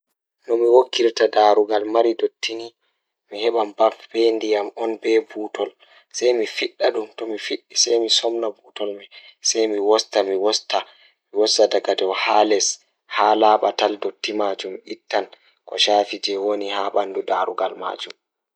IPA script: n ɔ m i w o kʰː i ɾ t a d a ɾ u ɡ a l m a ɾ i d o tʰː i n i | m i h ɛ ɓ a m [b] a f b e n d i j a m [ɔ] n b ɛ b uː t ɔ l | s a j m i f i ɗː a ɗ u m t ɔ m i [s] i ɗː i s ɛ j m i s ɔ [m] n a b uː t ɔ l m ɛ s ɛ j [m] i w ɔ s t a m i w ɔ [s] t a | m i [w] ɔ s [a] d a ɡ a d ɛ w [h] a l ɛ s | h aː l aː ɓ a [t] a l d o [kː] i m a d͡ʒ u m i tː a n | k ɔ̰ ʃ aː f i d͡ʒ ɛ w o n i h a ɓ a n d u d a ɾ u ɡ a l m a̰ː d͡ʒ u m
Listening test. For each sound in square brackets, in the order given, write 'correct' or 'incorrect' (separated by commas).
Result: correct, correct, incorrect, correct, correct, correct, correct, correct, correct, correct, incorrect